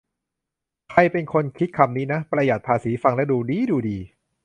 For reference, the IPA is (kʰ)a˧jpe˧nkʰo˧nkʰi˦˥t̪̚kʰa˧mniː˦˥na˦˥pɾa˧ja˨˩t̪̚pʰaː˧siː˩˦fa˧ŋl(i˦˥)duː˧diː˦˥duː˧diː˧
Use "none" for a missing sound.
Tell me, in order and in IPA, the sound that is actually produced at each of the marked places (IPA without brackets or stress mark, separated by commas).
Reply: kʰ, ɛ˦˥